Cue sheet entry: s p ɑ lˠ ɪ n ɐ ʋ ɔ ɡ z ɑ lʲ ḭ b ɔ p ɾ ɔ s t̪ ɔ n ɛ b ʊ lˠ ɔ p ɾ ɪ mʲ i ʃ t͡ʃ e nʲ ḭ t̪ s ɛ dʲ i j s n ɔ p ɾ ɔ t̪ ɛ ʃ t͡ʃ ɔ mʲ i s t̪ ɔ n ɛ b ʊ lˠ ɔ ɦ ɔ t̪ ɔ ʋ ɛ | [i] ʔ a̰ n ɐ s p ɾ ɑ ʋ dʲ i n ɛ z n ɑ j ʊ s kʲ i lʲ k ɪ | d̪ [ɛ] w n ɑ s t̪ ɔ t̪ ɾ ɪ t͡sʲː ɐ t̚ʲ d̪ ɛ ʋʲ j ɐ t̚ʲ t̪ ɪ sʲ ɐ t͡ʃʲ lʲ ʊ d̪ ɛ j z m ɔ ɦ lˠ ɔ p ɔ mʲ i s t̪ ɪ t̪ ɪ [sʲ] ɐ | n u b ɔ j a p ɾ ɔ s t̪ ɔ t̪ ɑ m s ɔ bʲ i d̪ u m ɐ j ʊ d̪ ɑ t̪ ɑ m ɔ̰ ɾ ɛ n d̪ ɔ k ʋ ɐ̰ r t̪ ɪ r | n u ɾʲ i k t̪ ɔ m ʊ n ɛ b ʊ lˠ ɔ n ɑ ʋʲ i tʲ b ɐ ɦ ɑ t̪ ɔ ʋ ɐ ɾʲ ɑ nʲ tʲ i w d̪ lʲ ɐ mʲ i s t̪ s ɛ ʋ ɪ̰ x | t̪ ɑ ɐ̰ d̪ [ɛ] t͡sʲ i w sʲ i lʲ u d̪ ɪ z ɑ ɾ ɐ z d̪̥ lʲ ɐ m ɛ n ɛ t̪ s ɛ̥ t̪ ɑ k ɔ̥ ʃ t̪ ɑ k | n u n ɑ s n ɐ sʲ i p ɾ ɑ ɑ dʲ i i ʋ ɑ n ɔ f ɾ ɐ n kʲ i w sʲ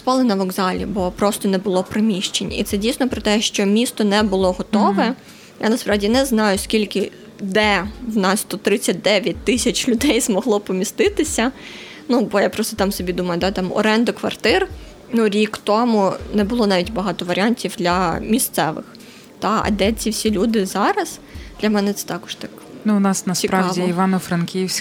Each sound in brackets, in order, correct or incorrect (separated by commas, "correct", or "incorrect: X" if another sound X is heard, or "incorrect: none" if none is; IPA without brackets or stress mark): incorrect: j, correct, correct, correct